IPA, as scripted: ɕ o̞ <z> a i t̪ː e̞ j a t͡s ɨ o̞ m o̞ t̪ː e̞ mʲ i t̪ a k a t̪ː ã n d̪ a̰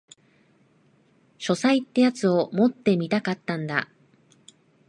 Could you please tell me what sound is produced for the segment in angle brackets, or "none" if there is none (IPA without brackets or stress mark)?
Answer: s